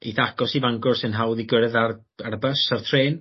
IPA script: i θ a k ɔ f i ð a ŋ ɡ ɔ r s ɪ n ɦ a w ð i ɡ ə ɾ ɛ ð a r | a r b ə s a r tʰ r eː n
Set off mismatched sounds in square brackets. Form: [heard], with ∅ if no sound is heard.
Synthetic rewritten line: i θ a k ɔ [s] i [v] a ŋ ɡ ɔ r s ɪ n ɦ a w ð i ɡ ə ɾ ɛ ð a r | a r b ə s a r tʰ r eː n